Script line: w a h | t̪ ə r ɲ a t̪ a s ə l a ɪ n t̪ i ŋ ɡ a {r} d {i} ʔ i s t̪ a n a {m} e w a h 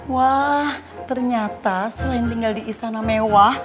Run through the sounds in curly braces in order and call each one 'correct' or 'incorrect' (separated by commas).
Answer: incorrect, correct, correct